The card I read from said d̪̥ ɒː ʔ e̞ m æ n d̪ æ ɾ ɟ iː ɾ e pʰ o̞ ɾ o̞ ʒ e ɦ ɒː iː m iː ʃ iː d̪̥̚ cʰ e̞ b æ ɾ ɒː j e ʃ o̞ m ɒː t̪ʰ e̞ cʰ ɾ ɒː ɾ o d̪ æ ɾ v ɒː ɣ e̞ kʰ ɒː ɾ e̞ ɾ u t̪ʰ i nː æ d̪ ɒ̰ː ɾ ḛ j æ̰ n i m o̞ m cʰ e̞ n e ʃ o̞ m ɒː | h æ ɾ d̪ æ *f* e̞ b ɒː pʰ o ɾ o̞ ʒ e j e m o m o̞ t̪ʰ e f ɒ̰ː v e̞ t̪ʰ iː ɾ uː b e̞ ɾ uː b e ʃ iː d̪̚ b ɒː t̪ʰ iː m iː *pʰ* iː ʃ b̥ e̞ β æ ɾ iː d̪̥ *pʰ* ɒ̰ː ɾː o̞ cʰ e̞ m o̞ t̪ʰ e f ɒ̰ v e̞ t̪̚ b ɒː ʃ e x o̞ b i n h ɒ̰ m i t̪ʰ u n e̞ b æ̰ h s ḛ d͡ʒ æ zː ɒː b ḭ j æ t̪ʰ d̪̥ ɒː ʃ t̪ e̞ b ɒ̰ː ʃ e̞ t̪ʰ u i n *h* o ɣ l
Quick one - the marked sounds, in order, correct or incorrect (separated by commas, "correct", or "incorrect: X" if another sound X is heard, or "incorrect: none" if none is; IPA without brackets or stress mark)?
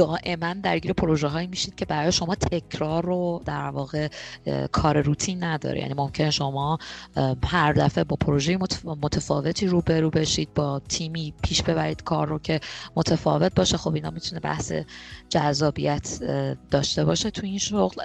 correct, correct, incorrect: kʰ, incorrect: ʃ